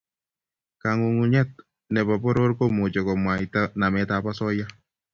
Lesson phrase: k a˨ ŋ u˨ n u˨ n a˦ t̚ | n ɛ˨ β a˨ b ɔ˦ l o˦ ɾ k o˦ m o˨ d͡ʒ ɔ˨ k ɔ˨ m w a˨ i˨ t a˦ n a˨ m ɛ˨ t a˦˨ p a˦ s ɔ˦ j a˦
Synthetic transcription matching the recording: k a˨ ŋ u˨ ŋ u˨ ɲ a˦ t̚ | n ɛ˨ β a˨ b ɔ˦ ɾ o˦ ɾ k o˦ m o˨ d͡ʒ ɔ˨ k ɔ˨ m w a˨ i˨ t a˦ n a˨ m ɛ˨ t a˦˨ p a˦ s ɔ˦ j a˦